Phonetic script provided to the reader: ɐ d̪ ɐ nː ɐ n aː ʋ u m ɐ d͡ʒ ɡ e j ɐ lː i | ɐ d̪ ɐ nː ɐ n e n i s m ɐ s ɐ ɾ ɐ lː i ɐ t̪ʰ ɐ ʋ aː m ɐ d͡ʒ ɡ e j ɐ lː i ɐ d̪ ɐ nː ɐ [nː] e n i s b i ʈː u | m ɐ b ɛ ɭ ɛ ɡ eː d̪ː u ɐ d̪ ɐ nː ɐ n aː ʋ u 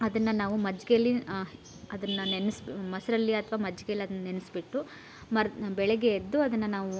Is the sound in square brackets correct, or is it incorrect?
incorrect: n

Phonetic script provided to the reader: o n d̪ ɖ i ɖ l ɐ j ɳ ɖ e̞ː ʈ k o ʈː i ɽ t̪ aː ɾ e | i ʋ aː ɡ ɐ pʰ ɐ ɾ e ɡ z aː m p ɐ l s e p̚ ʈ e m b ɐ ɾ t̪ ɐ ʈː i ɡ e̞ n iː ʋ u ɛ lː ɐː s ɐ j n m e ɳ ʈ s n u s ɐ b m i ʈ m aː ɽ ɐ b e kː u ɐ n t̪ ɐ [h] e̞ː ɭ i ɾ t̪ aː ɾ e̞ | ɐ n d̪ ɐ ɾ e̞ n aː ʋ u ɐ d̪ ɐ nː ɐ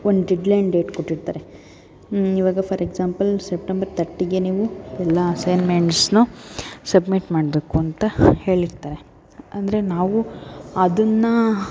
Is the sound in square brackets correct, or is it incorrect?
correct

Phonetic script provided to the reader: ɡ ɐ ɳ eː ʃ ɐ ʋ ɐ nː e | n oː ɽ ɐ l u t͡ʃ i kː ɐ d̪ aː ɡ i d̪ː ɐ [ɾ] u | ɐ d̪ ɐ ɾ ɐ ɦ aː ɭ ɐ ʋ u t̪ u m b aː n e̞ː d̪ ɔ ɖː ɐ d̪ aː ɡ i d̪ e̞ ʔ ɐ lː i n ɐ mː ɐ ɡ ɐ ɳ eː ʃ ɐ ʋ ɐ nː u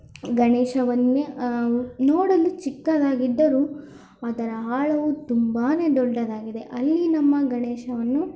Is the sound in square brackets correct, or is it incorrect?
correct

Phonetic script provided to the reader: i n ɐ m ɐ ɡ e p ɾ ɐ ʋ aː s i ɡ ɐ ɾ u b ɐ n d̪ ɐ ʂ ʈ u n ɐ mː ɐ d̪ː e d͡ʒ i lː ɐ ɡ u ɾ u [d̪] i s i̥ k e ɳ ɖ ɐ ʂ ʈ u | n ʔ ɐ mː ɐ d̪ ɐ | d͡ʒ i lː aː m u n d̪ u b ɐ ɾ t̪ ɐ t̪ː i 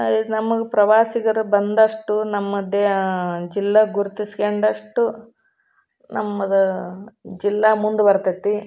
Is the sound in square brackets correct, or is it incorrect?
incorrect: t̪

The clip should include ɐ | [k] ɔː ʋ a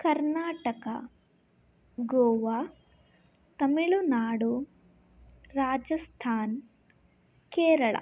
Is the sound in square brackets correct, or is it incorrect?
incorrect: ɡ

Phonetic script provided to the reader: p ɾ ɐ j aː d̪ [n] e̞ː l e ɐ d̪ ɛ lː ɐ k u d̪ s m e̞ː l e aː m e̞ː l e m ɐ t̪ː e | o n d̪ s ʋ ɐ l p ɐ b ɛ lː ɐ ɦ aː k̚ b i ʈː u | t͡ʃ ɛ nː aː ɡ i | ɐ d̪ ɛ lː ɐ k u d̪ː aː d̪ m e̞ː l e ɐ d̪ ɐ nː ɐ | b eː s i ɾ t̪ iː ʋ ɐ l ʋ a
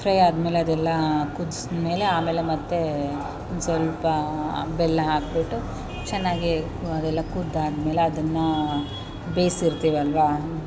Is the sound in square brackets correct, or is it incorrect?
incorrect: m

